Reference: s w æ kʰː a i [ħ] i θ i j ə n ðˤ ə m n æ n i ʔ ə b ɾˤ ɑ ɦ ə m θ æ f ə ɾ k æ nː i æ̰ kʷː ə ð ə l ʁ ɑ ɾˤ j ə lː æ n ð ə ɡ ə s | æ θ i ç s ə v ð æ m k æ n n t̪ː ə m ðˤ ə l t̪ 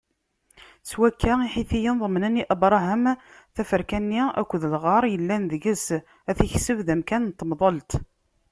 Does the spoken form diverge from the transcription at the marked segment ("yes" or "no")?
no